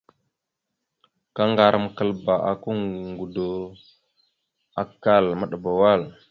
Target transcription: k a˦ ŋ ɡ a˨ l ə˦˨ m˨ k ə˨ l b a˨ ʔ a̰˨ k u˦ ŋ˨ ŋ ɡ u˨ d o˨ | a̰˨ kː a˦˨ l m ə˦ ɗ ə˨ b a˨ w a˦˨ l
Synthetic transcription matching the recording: k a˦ ŋ ɡ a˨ ɾ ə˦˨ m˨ k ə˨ l b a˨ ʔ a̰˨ k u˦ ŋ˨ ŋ ɡ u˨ d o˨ | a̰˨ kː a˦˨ l m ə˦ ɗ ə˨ b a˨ w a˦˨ l